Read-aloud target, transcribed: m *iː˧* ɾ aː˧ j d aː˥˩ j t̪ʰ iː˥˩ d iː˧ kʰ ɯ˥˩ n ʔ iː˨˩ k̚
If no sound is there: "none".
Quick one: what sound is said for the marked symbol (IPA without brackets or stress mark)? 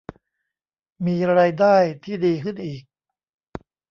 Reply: iː˧